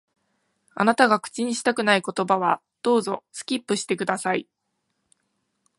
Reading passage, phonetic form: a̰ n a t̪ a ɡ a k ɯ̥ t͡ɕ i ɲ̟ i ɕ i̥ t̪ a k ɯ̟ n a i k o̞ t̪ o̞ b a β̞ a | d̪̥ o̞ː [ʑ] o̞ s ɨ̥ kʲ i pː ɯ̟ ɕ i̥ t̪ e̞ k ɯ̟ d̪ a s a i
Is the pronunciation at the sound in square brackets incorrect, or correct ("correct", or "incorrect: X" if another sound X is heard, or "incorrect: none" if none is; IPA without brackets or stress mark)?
incorrect: z